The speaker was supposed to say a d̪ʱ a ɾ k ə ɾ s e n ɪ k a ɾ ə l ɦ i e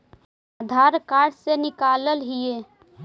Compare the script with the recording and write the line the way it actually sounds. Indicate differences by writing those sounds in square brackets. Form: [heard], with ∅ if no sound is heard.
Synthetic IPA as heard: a d̪ʱ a ɾ k [a] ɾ s e n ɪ k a [l] ə l ɦ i e